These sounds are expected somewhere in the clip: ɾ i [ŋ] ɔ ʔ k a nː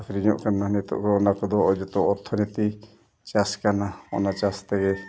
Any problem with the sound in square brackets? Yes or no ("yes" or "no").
yes